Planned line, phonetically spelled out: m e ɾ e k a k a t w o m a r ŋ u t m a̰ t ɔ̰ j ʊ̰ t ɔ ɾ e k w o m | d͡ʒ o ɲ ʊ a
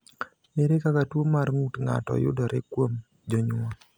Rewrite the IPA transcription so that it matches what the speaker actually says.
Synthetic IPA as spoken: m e ɾ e k a k a t w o m a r ŋ u t ŋ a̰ t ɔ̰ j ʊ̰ d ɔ ɾ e k w o m | d͡ʒ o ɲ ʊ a